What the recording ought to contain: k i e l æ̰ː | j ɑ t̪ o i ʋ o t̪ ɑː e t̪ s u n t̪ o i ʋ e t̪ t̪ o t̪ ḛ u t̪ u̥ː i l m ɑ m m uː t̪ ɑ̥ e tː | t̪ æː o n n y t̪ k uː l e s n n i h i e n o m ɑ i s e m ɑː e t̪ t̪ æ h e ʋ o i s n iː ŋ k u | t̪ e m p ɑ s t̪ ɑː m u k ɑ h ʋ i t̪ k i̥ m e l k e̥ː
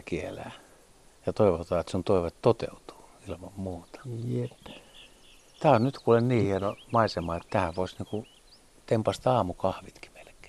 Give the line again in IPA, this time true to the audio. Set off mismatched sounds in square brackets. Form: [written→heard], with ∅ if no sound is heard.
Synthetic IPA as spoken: k i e l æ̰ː | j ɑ t̪ o i ʋ o t̪ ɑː e t̪ s u n t̪ o i ʋ e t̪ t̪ o t̪ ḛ u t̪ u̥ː i l m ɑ m m uː t̪ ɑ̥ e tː | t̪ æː o n n y t̪ k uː l e [s→∅] n n [i→iː] h i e n o m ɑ i s e m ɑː e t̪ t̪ æ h [e→æ] ʋ o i s n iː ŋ k u | t̪ e m p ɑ s t̪ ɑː m u k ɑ h ʋ i t̪ k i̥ m e l k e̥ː